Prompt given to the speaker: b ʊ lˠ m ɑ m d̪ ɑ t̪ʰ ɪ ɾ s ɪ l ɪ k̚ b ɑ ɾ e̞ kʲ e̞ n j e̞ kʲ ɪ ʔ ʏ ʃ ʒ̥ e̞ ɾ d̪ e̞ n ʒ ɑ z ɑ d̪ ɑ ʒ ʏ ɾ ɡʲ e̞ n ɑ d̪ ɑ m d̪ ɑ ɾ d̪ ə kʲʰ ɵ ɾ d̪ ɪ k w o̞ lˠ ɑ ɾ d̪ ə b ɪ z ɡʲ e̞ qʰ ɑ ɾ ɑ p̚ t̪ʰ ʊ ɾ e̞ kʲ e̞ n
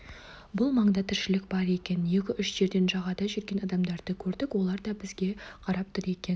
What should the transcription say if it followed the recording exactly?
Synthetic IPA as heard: b ʊ lˠ m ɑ ɴ d̪ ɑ t̪ʰ ɪ ɾ ʃ ɪ l ɪ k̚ b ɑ ɾ e̞ kʲ e̞ n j e̞ kʲ ɪ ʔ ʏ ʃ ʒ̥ e̞ ɾ d̪ e̞ n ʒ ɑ ʁ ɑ d̪ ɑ ʒ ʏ ɾ ɡʲ e̞ n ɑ d̪ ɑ m d̪ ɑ ɾ d̪ ə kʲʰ ɵ ɾ d̪ ɪ k w o̞ lˠ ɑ ɾ d̪ ɑ b ɪ z ɡʲ e̞ qʰ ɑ ɾ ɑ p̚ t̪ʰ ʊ ɾ e̞ kʲ e̞ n